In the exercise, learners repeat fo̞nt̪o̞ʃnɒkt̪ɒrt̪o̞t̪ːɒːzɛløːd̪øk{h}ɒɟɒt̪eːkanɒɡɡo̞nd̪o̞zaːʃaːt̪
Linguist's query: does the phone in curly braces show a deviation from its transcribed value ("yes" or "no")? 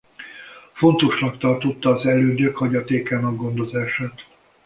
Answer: no